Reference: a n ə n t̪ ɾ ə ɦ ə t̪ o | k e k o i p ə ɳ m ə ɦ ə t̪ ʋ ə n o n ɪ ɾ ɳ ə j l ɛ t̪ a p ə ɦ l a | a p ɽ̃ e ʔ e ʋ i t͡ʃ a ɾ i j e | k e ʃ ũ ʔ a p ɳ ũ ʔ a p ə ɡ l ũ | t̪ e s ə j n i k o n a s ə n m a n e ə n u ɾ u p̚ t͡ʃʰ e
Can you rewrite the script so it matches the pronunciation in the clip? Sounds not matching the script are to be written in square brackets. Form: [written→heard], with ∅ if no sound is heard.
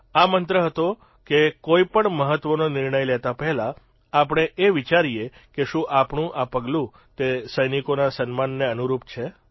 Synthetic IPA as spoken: a [n→m] ə n t̪ ɾ ə ɦ ə t̪ o | k e k o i p ə ɳ m ə ɦ ə t̪ ʋ ə n o n ɪ ɾ ɳ ə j l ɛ t̪ a p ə ɦ l a | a p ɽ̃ e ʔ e ʋ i t͡ʃ a ɾ i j e | k e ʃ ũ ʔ a p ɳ ũ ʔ a p ə ɡ l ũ | t̪ e s ə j n i k o n a s ə n m a [n→nː] e ə n u ɾ u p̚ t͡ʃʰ e